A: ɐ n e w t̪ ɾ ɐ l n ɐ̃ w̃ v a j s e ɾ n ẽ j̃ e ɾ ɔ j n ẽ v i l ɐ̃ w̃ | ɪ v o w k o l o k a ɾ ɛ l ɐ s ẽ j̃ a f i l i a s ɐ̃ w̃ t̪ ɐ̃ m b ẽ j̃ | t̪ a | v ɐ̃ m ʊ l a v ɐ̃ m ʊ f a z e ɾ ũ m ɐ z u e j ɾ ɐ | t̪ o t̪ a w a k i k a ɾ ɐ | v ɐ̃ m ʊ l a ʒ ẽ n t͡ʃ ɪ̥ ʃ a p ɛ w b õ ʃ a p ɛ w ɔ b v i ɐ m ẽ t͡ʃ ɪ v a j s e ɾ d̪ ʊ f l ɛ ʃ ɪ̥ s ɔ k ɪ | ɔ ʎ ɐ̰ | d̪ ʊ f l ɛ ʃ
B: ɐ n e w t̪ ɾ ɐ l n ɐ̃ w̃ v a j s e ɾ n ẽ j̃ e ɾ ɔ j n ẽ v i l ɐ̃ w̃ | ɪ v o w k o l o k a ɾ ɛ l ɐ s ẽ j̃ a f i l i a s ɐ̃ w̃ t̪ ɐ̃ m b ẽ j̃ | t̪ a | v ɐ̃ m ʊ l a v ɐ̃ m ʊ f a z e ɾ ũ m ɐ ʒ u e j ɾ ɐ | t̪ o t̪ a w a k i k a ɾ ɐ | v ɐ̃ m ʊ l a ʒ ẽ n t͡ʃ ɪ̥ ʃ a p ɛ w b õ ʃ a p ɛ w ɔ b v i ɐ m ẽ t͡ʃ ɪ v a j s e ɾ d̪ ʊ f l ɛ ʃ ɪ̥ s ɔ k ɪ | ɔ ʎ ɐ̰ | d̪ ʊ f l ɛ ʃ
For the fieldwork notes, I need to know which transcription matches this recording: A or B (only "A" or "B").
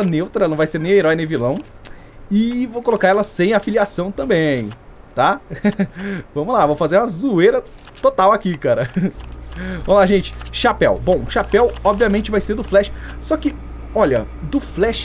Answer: A